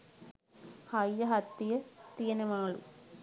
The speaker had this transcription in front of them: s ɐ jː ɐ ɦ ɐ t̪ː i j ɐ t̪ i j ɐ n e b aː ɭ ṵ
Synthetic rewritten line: h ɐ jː ɐ ɦ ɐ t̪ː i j ɐ t̪ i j ɐ n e m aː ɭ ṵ

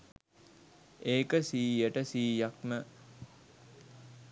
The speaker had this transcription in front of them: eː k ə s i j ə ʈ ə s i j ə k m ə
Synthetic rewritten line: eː k ə s iː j ə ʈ ə s iː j a k m ə

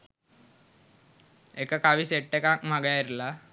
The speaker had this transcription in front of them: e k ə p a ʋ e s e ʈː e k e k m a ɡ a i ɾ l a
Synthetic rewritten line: e k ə k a ʋ i s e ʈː e k a k m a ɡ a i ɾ l a

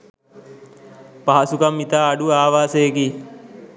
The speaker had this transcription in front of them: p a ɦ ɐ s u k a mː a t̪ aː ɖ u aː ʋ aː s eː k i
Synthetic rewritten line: p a ɦ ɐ s u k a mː i t̪ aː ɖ u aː ʋ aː s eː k i

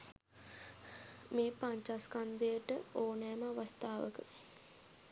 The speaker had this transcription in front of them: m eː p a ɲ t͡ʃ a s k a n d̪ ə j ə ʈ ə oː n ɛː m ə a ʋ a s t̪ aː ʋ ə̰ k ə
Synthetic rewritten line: m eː p a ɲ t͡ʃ a s k a n d̪ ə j ə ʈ ə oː n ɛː m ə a ʋ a s t̪ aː ʋ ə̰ k ə

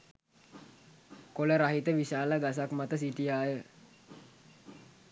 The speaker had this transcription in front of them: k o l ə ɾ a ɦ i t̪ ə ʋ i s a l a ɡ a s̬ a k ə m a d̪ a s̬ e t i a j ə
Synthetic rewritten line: k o l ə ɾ a ɦ i t̪ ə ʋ i s a l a ɡ a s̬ a k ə m a t̪ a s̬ i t i a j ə

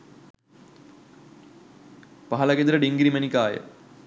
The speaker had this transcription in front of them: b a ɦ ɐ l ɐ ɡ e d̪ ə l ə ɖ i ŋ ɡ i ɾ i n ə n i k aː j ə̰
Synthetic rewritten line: p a ɦ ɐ l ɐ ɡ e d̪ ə ɾ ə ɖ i ŋ ɡ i ɾ i m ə n i k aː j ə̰

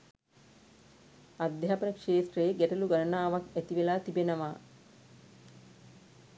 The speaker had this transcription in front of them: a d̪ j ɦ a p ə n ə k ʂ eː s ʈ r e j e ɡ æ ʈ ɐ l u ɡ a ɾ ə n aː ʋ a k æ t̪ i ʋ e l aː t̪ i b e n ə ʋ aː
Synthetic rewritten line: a d̪ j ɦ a p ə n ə k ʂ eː s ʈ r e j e ɡ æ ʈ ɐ l u ɡ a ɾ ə n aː ʋ a k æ t̪ i ʋ e l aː t̪ i b e n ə ʋ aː

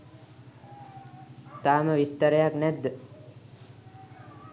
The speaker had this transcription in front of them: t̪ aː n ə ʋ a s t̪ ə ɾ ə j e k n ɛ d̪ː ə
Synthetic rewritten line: t̪ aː m ə ʋ i s t̪ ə ɾ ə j a k n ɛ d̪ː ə

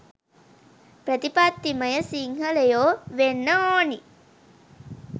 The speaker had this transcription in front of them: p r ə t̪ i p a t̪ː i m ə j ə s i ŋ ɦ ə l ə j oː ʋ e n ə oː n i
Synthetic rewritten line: p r ə t̪ i p a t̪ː i m ə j ə s i ŋ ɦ ə l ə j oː ʋ e nː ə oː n i

